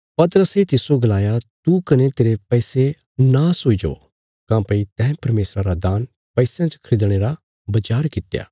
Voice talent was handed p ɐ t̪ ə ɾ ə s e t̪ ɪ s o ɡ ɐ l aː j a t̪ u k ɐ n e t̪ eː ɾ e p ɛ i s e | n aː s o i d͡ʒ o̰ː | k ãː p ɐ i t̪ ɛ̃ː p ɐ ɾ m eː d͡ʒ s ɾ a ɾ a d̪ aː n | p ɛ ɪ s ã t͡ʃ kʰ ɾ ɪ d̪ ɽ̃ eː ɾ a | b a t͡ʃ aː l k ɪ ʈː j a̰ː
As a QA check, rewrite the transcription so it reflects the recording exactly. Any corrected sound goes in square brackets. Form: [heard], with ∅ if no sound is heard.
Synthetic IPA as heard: p ɐ t̪ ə ɾ ə s e t̪ ɪ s o ɡ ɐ l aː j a t̪ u k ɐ n e t̪ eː ɾ e p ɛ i s e | n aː s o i d͡ʒ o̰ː | k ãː p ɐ i t̪ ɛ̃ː p ɐ ɾ m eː [∅] s ɾ a ɾ a d̪ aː n | p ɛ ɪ s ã t͡ʃ kʰ ɾ ɪ d̪ ɽ̃ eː ɾ a | b [ɐ] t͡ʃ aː [ɾ] k ɪ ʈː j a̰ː